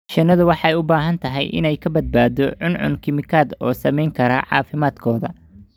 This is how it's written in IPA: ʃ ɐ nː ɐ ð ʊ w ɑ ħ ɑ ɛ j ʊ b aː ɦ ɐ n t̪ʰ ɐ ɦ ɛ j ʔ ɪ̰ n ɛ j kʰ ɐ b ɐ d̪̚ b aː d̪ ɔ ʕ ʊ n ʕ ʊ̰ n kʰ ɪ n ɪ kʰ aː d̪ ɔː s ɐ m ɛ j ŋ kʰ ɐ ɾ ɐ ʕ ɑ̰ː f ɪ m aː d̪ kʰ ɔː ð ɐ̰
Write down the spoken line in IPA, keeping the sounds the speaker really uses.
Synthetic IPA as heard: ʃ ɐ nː ɐ ð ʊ w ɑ ħ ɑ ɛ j ʊ b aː ɦ ɐ n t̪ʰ ɐ ɦ ɛ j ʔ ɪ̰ n ɛ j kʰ ɐ b ɐ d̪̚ b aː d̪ ɔ ʕ ʊ n ʕ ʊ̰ n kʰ ɪ m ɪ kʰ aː d̪ ɔː s ɐ m ɛ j ŋ kʰ ɐ ɾ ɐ ʕ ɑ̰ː f ɪ m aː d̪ kʰ ɔː ð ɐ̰